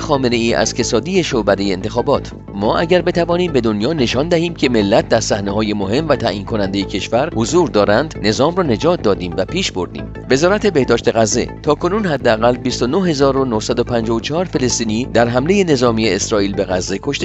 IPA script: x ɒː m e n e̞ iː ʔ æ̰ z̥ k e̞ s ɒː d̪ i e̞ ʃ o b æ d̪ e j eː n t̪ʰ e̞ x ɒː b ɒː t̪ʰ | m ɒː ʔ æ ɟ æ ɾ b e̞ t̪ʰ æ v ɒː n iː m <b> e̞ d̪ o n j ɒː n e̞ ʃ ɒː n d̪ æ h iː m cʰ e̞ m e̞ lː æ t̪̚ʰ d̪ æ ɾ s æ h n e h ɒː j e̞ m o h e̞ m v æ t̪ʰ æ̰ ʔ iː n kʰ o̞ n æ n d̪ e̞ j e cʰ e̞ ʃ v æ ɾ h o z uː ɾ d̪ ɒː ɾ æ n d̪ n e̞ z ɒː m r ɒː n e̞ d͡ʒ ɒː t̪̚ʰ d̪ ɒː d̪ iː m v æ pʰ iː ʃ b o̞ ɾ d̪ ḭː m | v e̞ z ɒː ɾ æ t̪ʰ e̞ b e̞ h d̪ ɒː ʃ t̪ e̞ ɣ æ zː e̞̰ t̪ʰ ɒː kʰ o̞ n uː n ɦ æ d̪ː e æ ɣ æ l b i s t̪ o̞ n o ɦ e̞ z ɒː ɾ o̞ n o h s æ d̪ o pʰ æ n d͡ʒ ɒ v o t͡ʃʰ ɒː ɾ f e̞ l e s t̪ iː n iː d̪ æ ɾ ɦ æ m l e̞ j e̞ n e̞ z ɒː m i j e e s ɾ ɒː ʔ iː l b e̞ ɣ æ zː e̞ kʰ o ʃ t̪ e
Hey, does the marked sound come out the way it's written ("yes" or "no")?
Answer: yes